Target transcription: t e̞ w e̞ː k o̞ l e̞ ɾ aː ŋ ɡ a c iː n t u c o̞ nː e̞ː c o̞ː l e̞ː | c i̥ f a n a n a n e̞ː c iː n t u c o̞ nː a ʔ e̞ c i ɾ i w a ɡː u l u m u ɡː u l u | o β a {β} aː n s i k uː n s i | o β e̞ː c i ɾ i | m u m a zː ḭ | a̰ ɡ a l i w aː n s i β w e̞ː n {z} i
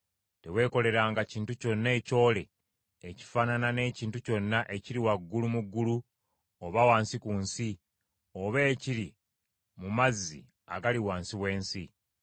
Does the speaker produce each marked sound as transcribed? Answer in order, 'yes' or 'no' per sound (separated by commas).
no, no